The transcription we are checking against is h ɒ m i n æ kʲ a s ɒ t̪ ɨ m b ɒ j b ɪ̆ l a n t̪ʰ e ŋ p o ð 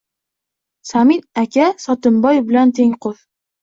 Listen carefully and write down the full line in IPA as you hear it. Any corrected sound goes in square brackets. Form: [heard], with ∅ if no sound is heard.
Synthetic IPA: [s] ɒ m i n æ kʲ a s ɒ t̪ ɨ m b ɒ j b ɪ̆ l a n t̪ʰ e ŋ [q] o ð